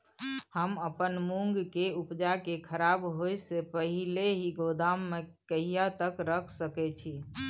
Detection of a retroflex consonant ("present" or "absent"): absent